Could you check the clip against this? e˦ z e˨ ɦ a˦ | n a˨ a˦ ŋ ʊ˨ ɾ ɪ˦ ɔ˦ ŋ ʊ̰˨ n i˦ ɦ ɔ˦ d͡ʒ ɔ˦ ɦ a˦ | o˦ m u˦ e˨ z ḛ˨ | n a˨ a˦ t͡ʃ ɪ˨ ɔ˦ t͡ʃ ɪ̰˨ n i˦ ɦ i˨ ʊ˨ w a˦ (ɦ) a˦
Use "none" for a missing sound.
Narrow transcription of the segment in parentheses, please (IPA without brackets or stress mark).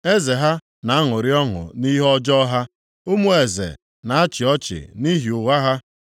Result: ɦ